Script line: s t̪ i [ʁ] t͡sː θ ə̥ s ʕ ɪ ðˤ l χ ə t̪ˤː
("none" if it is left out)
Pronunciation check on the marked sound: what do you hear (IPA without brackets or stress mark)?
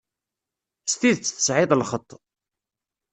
ð